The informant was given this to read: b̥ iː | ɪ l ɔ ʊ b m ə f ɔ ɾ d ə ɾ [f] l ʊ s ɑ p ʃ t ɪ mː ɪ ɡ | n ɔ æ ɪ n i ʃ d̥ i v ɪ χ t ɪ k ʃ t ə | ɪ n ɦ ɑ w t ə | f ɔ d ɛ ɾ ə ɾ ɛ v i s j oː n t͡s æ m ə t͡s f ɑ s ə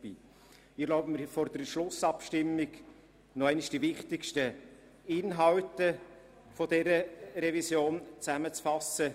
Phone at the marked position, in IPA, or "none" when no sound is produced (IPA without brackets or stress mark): ʃ